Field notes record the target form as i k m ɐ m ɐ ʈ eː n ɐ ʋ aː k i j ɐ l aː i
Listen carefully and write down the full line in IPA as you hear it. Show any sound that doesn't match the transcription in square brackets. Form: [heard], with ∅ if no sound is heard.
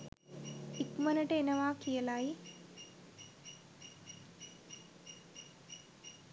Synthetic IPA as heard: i k m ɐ [n] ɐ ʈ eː n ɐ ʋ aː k i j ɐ l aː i